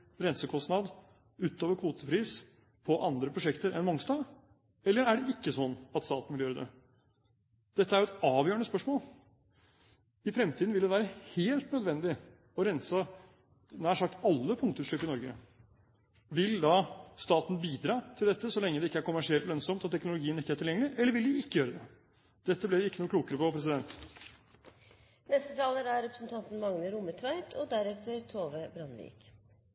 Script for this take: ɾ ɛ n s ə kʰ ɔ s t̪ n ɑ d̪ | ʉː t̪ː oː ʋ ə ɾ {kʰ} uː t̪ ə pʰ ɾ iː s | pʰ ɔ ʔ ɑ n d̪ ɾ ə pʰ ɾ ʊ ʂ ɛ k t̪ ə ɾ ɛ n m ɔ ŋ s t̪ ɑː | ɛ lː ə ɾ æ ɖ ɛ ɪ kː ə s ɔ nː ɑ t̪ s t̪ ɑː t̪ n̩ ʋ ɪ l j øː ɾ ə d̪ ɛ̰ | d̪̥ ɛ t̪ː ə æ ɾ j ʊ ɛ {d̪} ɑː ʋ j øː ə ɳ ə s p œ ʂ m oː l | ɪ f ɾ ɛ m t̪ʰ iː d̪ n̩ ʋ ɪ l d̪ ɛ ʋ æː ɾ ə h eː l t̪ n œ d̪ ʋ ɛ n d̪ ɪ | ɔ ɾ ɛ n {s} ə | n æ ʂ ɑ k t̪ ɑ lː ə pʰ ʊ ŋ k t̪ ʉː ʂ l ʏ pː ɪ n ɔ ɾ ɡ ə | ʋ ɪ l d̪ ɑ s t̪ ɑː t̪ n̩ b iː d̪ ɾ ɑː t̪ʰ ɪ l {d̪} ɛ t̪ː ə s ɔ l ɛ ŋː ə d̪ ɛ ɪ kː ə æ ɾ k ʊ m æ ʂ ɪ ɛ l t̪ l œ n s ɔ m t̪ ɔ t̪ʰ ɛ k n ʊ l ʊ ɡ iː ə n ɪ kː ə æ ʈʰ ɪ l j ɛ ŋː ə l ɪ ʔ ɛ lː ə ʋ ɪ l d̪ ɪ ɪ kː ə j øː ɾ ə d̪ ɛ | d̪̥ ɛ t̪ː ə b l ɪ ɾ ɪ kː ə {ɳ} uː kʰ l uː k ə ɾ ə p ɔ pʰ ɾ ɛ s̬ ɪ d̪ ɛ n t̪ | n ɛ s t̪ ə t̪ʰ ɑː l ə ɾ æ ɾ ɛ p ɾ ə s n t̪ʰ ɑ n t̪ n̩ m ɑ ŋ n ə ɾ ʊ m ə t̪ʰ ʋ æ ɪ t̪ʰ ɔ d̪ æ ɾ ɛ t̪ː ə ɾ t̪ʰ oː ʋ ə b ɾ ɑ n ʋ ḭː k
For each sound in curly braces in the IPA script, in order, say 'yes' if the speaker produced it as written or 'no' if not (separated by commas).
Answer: yes, no, yes, yes, no